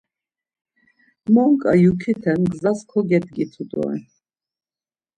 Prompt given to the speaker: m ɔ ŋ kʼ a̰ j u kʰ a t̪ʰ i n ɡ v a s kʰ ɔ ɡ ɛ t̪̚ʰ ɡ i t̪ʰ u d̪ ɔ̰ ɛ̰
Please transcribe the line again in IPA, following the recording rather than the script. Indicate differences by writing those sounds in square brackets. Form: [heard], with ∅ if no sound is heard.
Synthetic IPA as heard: m ɔ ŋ kʼ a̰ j u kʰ [i] t̪ʰ [ɛ] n ɡ [z] a s kʰ ɔ ɡ ɛ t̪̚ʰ ɡ i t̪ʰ u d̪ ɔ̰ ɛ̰